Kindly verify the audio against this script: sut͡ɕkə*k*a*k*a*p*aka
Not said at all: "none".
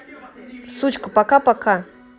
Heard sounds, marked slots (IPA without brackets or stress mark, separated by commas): p, k, p